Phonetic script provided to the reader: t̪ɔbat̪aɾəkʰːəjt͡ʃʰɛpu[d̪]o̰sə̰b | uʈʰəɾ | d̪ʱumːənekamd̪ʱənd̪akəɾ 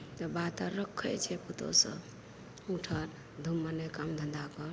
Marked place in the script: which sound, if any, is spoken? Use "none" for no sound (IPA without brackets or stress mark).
t̪